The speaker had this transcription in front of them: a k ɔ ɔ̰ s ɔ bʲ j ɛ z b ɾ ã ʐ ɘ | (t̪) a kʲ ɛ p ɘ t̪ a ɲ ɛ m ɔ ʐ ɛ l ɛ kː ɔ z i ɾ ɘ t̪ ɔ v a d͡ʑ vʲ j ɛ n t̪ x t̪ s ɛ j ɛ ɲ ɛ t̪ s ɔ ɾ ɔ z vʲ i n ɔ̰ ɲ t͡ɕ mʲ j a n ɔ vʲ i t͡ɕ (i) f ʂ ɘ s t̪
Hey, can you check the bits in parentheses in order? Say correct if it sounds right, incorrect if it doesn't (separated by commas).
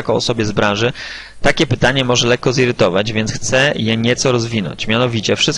correct, incorrect